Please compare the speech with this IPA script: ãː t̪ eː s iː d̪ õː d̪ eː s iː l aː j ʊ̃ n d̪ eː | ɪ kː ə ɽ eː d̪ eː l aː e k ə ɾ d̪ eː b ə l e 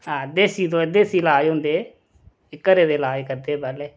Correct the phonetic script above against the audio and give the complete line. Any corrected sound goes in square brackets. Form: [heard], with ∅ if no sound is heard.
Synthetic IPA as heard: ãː [d̪] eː s iː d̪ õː d̪ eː s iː l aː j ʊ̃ n d̪ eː | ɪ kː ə [ɾ] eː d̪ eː l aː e k ə ɾ d̪ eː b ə l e